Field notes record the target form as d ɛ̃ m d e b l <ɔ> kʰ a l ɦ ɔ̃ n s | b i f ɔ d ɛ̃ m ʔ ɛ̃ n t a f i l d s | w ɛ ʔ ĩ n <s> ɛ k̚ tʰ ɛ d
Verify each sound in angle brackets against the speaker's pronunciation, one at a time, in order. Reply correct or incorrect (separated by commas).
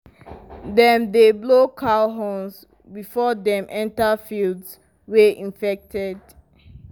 incorrect, incorrect